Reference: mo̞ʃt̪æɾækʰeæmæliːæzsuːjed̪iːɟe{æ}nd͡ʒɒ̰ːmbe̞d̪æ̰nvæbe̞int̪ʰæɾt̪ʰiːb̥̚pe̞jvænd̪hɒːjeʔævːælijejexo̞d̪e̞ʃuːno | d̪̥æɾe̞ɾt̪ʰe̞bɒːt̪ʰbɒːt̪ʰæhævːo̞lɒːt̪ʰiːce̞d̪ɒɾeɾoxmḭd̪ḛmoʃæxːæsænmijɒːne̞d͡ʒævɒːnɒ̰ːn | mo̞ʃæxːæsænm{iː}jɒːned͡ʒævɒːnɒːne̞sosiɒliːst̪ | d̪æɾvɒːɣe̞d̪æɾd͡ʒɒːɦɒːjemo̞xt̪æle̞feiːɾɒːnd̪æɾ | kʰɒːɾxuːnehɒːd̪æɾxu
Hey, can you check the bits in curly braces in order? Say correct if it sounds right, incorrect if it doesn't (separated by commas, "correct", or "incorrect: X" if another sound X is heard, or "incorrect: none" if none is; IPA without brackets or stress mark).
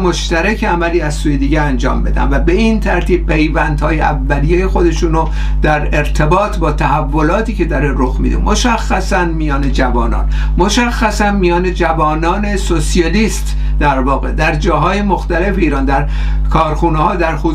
correct, incorrect: i